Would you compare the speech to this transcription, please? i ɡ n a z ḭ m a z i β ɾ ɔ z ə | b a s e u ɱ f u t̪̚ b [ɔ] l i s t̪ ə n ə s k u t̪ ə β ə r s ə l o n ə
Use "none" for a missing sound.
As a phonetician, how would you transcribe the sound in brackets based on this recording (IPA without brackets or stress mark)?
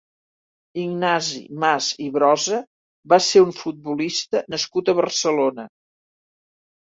u